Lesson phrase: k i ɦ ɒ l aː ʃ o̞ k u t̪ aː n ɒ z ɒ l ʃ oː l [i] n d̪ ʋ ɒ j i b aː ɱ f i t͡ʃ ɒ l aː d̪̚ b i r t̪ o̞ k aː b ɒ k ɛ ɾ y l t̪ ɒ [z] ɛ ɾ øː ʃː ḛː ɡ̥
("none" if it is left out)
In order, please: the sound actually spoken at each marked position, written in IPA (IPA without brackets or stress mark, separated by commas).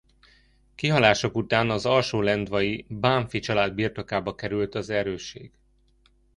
ɛ, z